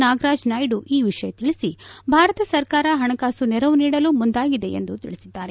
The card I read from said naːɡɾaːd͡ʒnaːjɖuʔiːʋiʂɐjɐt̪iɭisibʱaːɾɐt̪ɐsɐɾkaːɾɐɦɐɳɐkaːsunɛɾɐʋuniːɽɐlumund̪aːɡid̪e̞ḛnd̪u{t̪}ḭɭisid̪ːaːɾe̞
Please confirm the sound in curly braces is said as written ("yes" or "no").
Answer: yes